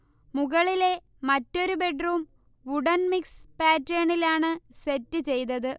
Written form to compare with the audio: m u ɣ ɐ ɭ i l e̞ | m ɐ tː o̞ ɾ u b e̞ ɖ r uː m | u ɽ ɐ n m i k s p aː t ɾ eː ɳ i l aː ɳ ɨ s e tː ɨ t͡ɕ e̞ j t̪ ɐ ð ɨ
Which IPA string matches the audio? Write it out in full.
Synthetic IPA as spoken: m u ɣ ɐ ɭ i l e̞ | m ɐ tː o̞ ɾ u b e̞ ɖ r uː m | u ɽ ɐ n m i k s p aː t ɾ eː ɳ i l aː ɳ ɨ s e tː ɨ t͡ɕ e̞ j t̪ ɐ ð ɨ